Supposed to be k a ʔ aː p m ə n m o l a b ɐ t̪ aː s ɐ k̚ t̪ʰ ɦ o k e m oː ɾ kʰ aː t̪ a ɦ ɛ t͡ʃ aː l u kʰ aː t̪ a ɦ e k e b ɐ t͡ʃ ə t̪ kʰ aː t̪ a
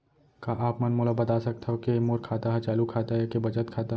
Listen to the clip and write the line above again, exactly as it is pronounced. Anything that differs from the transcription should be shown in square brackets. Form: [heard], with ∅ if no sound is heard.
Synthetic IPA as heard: k a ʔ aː p m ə n m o l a b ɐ t̪ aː s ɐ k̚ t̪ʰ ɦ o k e m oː ɾ kʰ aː t̪ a ɦ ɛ t͡ʃ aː l u kʰ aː t̪ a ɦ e k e b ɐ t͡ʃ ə t̪ kʰ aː t̪ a